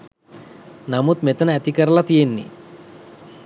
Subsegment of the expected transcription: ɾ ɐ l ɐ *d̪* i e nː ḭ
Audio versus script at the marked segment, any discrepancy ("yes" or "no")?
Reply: yes